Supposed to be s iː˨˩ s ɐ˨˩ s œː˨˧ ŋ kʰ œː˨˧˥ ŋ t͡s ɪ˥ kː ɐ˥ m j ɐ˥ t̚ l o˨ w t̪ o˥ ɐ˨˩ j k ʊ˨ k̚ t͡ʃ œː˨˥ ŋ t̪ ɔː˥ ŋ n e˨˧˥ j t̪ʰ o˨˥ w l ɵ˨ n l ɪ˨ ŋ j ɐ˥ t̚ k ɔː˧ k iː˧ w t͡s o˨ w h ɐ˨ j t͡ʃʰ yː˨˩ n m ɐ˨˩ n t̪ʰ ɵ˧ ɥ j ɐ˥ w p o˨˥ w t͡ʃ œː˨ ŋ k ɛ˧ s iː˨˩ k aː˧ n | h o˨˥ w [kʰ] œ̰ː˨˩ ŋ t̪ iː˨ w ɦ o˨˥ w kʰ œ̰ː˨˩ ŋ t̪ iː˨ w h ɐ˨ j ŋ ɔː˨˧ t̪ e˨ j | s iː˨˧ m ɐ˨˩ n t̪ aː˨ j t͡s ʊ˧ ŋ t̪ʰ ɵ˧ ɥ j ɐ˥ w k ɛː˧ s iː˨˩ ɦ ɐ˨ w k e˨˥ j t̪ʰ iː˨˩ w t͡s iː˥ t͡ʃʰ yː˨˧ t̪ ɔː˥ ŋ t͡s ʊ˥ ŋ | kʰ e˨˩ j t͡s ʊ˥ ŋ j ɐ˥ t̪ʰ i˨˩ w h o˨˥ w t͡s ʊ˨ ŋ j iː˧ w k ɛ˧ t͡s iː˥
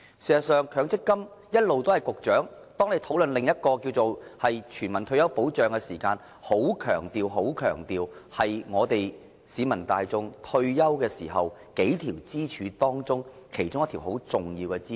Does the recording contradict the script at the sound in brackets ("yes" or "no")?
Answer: no